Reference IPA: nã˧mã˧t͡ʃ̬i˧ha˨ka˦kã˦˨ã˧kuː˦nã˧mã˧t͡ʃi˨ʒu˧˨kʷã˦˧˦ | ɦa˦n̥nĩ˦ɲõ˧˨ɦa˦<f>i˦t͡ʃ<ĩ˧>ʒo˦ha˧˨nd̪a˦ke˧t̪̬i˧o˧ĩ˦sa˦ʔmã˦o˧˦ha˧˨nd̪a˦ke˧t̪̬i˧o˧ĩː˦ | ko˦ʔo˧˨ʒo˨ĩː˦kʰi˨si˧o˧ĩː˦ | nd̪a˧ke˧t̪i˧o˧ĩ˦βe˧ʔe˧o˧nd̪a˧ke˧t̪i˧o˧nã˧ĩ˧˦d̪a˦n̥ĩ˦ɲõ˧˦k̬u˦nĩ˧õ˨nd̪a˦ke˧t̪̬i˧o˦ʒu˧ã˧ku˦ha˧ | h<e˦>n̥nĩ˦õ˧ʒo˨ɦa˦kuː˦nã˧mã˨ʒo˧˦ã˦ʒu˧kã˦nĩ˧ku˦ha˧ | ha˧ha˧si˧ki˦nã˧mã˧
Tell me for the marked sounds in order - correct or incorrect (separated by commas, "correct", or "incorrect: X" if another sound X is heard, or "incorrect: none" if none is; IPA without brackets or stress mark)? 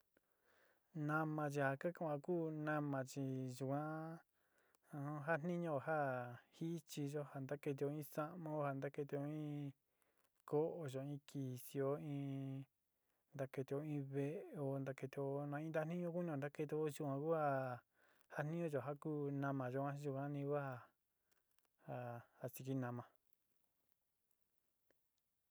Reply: incorrect: h, incorrect: i˧, incorrect: a˦